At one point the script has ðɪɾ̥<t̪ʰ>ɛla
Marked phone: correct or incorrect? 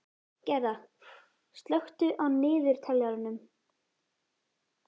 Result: correct